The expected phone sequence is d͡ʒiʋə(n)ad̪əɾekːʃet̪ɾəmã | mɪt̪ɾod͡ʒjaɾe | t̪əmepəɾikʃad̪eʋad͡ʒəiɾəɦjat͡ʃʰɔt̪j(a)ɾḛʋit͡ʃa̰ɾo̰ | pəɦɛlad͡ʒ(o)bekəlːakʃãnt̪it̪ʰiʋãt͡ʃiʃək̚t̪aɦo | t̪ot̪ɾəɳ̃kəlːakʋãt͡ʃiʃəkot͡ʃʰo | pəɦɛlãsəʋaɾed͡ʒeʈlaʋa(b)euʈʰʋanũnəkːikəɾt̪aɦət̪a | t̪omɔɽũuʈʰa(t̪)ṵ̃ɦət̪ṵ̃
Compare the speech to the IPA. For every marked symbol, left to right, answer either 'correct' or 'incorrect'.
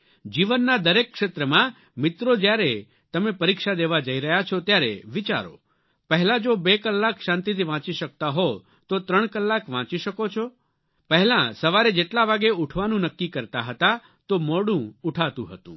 incorrect: nː, correct, correct, incorrect: ɡ, correct

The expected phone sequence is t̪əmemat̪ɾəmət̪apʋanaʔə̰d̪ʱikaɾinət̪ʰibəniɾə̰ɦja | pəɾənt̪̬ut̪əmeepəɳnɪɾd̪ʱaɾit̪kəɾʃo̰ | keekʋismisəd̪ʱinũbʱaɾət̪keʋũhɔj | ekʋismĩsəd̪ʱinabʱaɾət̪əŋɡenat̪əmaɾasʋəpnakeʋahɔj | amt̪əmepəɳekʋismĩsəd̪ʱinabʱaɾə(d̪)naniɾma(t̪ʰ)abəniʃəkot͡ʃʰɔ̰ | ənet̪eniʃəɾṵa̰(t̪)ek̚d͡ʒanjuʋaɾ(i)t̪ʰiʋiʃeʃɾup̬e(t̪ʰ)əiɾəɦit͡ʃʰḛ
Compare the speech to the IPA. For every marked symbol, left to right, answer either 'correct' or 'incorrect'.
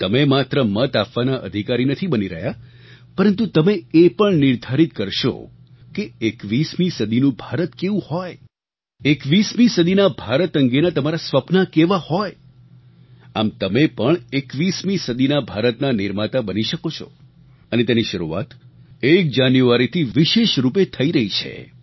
incorrect: t̪, incorrect: t̪, correct, correct, correct

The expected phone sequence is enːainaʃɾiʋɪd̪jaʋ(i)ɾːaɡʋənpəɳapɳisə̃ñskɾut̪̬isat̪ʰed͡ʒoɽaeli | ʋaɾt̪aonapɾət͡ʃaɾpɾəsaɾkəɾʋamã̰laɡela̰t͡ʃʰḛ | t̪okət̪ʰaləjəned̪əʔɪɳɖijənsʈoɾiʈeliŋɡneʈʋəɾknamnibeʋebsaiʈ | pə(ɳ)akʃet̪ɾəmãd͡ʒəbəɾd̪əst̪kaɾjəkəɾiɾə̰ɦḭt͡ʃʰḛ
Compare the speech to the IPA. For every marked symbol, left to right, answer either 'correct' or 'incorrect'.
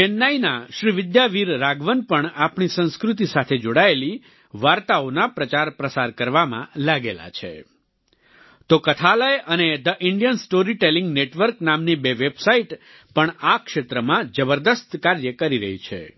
correct, correct

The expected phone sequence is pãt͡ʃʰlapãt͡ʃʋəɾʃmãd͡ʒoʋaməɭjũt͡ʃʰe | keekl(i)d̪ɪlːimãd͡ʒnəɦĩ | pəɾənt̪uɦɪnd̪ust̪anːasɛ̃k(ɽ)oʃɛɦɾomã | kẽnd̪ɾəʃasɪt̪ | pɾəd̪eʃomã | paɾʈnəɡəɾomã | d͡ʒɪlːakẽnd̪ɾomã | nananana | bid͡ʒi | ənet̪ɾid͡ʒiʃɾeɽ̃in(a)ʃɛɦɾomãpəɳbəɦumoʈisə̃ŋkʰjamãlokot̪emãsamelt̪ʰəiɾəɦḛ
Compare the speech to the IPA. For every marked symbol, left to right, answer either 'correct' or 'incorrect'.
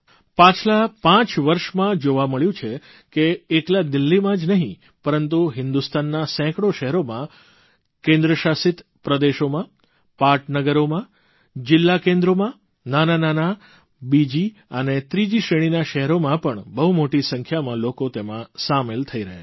incorrect: a, correct, correct

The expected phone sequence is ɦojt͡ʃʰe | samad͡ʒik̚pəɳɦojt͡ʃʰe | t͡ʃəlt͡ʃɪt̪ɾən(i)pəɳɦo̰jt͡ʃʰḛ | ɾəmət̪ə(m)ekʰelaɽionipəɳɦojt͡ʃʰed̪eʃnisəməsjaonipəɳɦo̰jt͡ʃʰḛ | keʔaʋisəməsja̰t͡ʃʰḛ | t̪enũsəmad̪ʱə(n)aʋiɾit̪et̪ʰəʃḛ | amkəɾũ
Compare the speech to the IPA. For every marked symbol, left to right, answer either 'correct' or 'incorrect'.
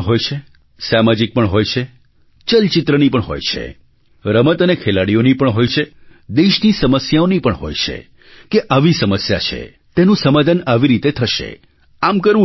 correct, incorrect: n, correct

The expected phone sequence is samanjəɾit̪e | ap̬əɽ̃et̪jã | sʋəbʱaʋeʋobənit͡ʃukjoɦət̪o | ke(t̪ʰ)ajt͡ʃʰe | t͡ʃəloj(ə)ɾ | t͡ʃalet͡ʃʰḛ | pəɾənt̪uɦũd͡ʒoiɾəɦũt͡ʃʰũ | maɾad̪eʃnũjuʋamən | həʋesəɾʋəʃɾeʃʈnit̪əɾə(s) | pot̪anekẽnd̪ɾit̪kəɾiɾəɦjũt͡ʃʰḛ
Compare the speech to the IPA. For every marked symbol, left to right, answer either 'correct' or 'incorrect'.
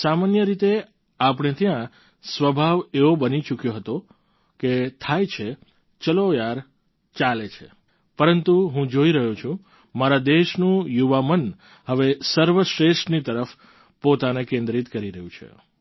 correct, incorrect: a, incorrect: f

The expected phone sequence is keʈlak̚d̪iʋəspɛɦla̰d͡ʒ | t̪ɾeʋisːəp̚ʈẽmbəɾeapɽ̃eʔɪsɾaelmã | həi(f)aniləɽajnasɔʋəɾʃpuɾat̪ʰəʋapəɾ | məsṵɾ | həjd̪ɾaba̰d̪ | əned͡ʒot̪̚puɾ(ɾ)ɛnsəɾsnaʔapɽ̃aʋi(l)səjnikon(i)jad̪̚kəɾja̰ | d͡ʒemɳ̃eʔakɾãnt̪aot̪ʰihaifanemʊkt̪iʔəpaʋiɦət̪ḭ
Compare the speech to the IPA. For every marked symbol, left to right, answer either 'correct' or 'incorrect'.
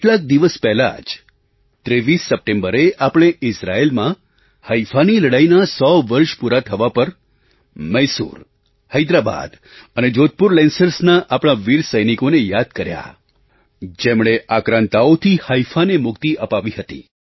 correct, incorrect: l, incorrect: ɾ, incorrect: e

